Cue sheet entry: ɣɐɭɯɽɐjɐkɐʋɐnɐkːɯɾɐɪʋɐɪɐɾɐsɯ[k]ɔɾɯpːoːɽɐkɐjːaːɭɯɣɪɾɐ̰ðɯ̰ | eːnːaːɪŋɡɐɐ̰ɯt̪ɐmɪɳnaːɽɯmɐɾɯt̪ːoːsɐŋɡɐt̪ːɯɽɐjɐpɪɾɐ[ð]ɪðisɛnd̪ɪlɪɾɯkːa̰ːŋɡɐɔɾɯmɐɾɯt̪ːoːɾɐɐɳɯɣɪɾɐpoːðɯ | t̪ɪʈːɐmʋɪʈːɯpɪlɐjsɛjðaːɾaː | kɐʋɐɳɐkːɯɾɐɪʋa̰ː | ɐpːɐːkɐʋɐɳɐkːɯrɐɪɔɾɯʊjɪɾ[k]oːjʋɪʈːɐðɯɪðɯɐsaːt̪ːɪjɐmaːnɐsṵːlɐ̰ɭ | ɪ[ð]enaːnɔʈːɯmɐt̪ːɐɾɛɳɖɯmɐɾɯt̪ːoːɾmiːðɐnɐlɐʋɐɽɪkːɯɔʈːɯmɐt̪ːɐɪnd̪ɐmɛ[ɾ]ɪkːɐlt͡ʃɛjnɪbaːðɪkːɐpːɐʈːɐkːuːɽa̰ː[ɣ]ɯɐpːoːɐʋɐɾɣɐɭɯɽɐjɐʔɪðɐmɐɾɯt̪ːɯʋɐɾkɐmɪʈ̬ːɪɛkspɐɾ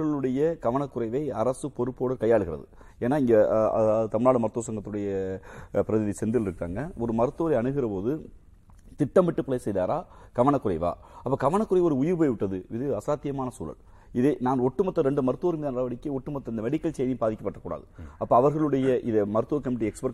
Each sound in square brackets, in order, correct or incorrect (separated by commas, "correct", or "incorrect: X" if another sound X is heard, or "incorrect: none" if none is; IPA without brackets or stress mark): incorrect: p, correct, incorrect: p, correct, incorrect: ɽ, incorrect: ð